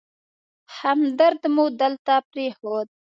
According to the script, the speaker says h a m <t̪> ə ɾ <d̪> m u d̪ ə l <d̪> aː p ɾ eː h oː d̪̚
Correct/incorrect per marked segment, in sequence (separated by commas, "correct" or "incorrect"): incorrect, correct, incorrect